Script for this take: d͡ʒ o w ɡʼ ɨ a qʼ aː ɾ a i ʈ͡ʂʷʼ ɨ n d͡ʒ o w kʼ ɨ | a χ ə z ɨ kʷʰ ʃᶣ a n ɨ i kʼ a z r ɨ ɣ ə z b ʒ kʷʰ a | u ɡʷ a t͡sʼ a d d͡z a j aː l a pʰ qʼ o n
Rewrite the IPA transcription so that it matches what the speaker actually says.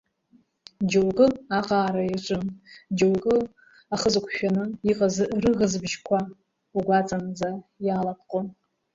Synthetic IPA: d͡ʒ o w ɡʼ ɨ a qʼ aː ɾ a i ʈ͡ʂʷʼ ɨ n d͡ʒ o w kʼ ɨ | a χ ə z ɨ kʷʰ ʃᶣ a n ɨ i qʼ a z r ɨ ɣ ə z b ʒ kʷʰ a | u ɡʷ a t͡sʼ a n d͡z a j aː l a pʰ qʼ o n